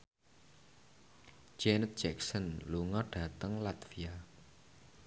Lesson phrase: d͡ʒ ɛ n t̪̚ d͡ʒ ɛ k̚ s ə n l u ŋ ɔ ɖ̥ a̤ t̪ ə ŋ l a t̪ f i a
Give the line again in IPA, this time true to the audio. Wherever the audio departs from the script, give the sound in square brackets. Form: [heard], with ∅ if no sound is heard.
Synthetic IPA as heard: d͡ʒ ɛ n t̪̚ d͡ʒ ɛ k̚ s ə n l u ŋ ɔ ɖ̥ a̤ t̪ ə ŋ l a t̪ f i a